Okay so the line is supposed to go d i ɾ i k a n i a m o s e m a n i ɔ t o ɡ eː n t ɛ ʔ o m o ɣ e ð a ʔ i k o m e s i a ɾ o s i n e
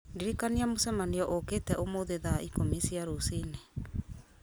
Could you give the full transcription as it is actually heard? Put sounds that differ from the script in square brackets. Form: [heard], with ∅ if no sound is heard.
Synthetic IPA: d i ɾ i k a n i a m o s [ɛ] m a n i ɔ [ʔ] o [k] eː [∅] t ɛ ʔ o m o [ð] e ð a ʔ i k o m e s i a ɾ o s i n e

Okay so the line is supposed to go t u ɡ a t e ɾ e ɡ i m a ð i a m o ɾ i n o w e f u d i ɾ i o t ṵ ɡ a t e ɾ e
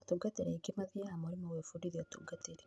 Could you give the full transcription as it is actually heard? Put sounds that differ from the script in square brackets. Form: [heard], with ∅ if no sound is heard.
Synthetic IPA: t u ɡ a t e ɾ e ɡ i m a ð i a m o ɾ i [m] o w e f u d i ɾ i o t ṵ ɡ a t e ɾ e

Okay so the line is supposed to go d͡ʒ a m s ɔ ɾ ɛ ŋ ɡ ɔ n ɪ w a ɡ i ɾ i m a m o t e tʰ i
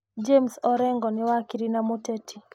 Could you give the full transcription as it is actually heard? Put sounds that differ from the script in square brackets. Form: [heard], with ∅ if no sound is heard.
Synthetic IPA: d͡ʒ [e] m s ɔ ɾ ɛ ŋ ɡ ɔ n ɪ w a [k] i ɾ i [n] a m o t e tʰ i

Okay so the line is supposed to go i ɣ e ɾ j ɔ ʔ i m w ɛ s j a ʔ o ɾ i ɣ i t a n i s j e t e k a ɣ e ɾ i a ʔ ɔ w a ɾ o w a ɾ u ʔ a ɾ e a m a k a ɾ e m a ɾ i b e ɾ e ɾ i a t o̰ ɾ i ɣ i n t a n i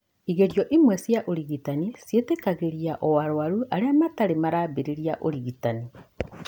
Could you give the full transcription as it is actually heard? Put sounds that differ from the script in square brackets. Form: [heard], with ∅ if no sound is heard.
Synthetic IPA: i ɣ e ɾ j ɔ ʔ i m w ɛ s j a ʔ o ɾ i ɣ i t a n i s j e t e k a ɣ e ɾ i a ʔ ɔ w a ɾ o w a ɾ u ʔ a ɾ e a m a [t] a ɾ e m a ɾ [a] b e ɾ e ɾ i a [ʔ] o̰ ɾ i ɣ i [∅] t a n i

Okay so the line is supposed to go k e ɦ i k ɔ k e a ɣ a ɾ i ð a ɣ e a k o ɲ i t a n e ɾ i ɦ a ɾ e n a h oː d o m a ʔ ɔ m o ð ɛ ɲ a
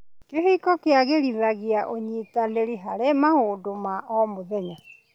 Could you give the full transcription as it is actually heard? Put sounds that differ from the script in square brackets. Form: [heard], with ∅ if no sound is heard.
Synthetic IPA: k e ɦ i k ɔ k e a ɣ [e] ɾ i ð a ɣ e a [ʔ] o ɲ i t a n e ɾ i ɦ a ɾ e [m] a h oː d o m a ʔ ɔ m o ð ɛ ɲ a

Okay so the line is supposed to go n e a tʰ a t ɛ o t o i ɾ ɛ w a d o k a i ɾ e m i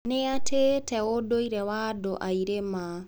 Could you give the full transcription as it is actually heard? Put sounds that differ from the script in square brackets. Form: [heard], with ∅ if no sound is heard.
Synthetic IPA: n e a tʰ [e] t ɛ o [d] o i ɾ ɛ w a d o [ʔ] a i ɾ e m [a]

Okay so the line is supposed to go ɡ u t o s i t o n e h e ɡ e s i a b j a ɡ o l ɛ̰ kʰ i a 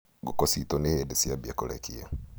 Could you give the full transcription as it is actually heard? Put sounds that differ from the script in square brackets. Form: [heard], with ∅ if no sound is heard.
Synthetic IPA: ɡ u [k] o s i t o n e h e [d] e s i a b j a [k] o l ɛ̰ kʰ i a

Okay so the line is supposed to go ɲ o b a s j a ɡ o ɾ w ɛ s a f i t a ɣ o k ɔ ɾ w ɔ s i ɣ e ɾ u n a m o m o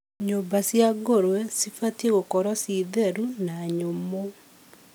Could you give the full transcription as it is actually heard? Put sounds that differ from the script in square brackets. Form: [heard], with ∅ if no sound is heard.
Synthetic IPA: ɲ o b a s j a ɡ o ɾ w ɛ s [i] f [a] t [e] ɣ o k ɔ ɾ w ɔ s i [ð] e ɾ u n a [ɲ] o m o

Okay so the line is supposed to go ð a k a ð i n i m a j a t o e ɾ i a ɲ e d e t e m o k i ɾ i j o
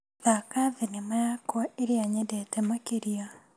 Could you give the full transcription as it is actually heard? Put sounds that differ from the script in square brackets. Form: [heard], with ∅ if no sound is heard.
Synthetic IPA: ð a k a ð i n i m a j a [k] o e ɾ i a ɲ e d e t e m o k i ɾ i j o

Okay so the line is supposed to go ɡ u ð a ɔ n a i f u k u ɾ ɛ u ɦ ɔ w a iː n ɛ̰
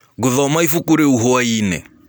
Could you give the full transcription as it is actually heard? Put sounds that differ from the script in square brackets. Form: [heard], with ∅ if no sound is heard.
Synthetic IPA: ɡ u ð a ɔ [m] a i f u k u ɾ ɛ u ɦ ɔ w a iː n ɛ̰

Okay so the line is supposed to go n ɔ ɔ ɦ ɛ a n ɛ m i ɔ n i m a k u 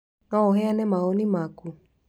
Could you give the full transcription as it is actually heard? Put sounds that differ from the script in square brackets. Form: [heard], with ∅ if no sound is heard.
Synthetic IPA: n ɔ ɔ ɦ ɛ a n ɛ m [a] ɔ n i m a k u

